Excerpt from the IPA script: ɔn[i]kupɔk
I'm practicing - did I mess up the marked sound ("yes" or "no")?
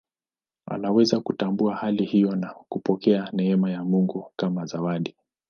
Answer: yes